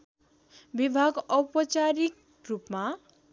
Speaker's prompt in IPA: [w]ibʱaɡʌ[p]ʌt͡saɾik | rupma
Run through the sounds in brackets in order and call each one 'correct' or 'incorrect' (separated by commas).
incorrect, correct